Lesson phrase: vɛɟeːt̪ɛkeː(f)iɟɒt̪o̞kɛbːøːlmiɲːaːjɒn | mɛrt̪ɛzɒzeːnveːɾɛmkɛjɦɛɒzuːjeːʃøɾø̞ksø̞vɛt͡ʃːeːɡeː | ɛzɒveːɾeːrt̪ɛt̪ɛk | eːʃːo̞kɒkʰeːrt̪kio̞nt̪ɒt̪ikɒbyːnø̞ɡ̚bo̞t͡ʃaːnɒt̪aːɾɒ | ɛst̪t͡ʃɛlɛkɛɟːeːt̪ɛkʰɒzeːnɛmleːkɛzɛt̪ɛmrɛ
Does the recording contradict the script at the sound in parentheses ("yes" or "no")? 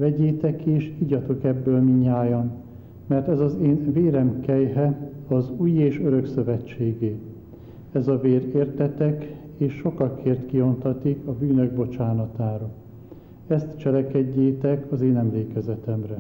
yes